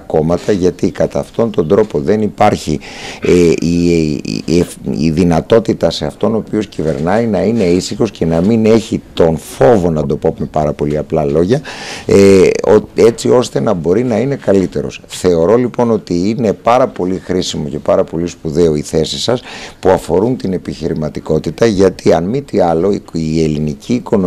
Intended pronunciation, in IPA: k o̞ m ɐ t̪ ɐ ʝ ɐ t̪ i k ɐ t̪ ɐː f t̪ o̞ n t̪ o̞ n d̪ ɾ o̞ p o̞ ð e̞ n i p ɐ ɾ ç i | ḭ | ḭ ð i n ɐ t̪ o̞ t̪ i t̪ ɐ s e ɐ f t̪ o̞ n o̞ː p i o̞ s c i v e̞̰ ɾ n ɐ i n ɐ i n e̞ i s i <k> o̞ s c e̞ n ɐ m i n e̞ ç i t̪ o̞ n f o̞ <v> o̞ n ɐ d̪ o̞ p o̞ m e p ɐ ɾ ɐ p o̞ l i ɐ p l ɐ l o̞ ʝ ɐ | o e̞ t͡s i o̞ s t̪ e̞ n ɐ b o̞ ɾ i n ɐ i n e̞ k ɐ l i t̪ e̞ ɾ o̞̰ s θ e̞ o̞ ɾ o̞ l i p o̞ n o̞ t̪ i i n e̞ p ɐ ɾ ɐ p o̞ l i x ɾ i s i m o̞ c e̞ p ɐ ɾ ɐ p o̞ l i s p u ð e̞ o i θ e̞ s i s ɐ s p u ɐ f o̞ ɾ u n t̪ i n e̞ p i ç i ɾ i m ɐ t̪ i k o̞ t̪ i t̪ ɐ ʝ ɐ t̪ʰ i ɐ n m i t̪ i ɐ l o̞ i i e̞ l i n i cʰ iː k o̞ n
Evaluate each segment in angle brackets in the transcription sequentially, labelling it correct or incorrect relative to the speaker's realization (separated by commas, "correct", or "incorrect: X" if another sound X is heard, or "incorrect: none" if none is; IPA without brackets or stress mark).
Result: incorrect: x, correct